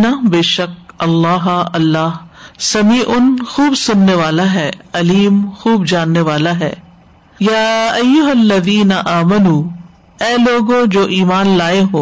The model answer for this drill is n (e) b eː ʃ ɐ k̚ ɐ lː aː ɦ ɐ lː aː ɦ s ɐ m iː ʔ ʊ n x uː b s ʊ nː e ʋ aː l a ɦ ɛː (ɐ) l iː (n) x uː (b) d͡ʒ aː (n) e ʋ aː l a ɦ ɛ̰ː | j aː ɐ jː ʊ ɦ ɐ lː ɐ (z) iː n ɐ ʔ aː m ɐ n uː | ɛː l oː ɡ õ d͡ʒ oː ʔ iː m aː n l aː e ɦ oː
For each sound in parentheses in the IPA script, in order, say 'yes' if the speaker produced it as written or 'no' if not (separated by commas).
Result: no, yes, no, yes, no, no